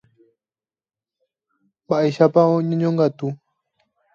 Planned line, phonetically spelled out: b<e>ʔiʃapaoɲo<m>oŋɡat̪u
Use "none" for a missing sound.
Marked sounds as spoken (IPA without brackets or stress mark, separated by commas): a, ɲ